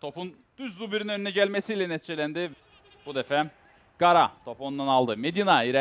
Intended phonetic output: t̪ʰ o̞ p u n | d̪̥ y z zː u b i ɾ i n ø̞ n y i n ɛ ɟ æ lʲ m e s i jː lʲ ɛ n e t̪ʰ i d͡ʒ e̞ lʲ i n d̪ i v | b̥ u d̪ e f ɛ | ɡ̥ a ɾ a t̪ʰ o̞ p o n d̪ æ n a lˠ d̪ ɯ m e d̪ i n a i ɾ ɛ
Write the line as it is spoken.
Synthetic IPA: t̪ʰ o̞ p u n | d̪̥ y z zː u b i ɾ i n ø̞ n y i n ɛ ɟ æ lʲ m e s i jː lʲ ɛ n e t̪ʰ i d͡ʒ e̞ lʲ æ n d̪ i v | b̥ u d̪ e f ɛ | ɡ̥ a ɾ a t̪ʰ o̞ p o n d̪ a n a lˠ d̪ ɯ m e d̪ i n a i ɾ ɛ